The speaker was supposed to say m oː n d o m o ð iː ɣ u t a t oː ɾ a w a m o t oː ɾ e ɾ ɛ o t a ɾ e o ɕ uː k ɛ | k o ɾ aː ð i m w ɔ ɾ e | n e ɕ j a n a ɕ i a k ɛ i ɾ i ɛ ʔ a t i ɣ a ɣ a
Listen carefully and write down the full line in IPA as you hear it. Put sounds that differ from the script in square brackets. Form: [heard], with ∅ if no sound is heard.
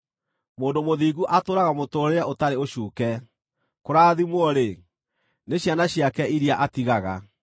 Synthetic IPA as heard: m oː n d o m o ð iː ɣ u [ʔ] a t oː ɾ a [ɣ] a m o t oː ɾ e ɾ ɛ o t a ɾ e o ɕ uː k ɛ | k o ɾ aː ð i m w ɔ ɾ e | n e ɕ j a n a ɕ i a k ɛ i ɾ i [a] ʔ a t i ɣ a ɣ a